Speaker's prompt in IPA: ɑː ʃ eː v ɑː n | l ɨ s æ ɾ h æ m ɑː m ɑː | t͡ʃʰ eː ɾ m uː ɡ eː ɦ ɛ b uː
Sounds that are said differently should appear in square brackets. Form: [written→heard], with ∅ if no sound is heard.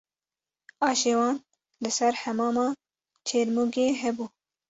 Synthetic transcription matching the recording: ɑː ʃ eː [v→w] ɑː n | l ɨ s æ ɾ h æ m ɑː m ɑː | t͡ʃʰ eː ɾ m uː ɡ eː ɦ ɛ b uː